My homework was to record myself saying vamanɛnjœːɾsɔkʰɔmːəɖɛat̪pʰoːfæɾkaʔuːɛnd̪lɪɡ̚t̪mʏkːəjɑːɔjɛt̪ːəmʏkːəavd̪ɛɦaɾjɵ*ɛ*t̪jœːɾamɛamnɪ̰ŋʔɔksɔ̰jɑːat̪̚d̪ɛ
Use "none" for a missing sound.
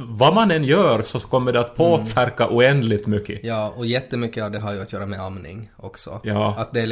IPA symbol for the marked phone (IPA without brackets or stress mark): a